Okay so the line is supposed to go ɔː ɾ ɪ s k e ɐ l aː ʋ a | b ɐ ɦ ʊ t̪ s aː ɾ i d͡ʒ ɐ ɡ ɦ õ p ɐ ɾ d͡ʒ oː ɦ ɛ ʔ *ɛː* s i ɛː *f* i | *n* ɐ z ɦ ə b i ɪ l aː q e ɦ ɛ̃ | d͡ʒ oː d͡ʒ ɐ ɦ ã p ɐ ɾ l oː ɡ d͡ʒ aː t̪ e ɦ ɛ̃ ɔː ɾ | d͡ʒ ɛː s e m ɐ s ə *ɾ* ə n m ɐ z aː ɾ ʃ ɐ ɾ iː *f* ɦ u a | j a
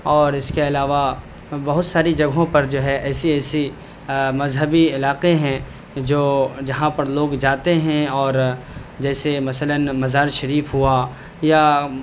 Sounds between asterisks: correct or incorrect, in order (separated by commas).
correct, incorrect, incorrect, incorrect, correct